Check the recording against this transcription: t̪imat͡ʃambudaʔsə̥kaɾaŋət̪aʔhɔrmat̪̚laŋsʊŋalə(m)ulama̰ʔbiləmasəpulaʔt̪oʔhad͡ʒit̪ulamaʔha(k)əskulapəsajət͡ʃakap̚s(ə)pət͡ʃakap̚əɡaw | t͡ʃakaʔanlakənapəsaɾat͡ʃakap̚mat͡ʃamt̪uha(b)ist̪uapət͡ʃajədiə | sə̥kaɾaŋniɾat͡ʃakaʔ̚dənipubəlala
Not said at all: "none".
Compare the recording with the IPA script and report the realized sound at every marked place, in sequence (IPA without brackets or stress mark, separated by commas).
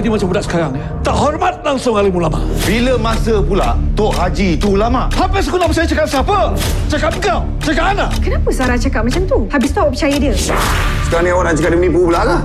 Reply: m, p, a, b